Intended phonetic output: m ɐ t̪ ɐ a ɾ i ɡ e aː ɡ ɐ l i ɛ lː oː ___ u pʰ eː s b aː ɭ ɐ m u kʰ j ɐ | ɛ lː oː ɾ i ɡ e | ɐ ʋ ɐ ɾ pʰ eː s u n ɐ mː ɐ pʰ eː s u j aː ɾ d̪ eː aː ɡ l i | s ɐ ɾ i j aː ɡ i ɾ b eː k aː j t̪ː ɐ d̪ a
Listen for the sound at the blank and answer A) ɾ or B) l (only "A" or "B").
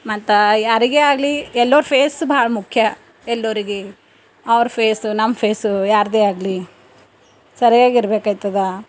A